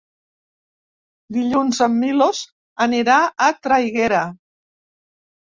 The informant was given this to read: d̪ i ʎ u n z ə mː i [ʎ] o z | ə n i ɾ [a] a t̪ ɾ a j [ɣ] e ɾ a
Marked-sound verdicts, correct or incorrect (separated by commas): incorrect, correct, correct